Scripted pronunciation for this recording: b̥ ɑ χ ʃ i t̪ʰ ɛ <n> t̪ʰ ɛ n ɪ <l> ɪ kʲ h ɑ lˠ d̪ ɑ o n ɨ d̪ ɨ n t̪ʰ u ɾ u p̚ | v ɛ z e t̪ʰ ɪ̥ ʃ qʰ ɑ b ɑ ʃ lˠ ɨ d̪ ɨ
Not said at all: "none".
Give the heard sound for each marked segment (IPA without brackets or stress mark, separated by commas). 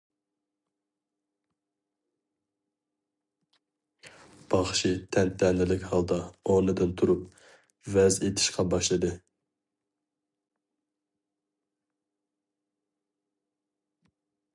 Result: n, l